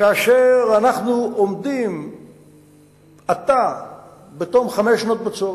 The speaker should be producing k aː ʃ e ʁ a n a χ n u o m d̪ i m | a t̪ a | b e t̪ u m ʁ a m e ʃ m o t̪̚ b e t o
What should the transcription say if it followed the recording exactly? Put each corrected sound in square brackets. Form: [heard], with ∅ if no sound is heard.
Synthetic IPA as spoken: k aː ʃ e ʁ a n a χ n u o m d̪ i m | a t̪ a | b e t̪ [o] m [χ] a m e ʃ [n] o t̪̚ b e [t͡s] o